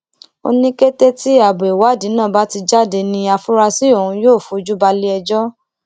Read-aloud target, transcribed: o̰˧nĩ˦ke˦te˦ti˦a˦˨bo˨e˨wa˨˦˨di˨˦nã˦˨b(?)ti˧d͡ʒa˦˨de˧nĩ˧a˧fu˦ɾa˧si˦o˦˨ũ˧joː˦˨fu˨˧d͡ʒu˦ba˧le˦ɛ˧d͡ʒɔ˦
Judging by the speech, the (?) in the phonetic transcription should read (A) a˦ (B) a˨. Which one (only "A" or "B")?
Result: A